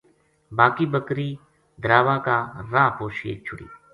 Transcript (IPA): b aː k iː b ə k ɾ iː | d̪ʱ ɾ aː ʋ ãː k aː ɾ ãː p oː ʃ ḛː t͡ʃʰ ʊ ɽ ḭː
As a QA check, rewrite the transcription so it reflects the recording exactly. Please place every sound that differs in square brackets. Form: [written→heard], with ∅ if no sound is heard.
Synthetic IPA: b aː k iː b ə k ɾ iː | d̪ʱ ɾ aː ʋ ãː k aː ɾ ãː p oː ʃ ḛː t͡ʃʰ ʊ ɽ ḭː